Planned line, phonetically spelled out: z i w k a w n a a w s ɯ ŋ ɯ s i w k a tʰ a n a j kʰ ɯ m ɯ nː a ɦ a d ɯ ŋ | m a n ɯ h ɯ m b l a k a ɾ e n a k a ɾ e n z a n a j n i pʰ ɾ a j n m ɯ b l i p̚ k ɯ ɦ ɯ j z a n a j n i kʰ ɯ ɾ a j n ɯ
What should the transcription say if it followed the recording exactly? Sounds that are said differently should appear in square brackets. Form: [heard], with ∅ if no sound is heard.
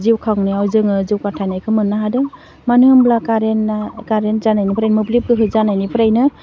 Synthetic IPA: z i w [kʰ] a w n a a w [z] ɯ ŋ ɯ [z] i w k a tʰ a n a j kʰ ɯ m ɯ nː a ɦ a d ɯ ŋ | m a n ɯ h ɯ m b l a k a ɾ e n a k a ɾ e n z a n a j n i pʰ ɾ a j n m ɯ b l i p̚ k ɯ ɦ ɯ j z a n a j n i [pʰ] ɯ ɾ a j n ɯ